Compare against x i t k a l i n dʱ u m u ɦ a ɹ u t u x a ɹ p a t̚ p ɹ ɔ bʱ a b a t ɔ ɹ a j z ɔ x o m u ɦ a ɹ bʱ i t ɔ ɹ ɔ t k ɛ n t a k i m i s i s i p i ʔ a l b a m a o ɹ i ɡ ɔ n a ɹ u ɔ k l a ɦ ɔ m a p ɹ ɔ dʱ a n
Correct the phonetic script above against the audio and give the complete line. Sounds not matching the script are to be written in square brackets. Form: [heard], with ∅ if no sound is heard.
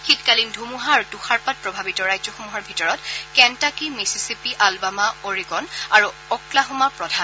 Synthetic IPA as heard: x i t k a l i n dʱ u m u ɦ a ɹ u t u x a ɹ p a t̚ p ɹ ɔ bʱ a b [i] t ɔ ɹ a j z ɔ x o m u ɦ a ɹ bʱ i t ɔ ɹ ɔ t k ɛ n t a k i m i s i s i p i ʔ a l b a m a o ɹ i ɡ ɔ n a ɹ u ɔ k l a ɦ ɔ m a p ɹ ɔ dʱ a n